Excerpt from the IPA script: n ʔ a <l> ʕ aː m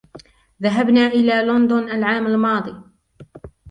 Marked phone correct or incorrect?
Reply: correct